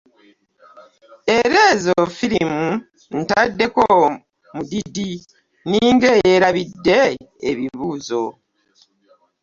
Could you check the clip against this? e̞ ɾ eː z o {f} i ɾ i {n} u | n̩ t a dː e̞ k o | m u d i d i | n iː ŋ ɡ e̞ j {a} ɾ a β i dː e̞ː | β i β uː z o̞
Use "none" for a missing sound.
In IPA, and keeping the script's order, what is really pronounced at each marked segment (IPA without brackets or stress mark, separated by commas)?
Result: f, m, e